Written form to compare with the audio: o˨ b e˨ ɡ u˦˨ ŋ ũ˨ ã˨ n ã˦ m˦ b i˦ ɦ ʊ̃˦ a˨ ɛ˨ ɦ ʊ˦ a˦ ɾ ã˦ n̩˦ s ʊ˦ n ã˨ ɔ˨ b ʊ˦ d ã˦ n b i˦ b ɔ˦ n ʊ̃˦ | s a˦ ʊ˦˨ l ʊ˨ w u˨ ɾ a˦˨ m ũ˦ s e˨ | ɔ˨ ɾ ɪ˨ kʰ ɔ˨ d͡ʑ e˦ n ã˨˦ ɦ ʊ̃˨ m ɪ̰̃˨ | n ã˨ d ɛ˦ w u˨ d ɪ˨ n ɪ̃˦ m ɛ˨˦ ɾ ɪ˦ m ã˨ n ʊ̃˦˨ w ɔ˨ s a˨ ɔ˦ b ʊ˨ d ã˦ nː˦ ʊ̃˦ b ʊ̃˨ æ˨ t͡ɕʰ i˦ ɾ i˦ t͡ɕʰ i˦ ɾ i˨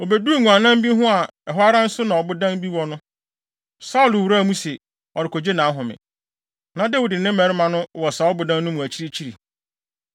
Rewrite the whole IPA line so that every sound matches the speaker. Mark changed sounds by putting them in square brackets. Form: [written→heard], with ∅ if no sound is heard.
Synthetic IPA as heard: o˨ b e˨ [ɡ→d] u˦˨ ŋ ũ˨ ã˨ n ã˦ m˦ b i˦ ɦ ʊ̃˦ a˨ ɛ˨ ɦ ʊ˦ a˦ ɾ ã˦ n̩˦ s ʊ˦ n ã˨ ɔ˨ b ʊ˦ d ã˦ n b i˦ [b→w] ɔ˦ n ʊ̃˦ | s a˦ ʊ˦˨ l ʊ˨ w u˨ ɾ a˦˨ m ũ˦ s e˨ | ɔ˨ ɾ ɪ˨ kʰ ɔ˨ d͡ʑ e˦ n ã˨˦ ɦ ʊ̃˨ m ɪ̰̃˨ | n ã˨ d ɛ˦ w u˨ d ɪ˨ n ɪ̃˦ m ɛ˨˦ ɾ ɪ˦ m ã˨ n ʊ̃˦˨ w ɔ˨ s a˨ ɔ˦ b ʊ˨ d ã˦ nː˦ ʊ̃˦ [b→m] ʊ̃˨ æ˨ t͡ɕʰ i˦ ɾ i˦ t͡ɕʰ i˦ ɾ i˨